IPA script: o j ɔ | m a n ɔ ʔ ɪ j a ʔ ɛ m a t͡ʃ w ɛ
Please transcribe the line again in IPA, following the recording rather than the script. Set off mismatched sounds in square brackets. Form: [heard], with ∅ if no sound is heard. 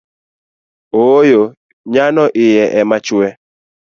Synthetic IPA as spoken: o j [o] | [ɲ] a n ɔ ʔ ɪ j [ɛ] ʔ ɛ m a t͡ʃ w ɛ